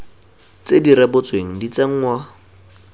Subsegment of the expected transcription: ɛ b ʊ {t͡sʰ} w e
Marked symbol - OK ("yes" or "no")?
no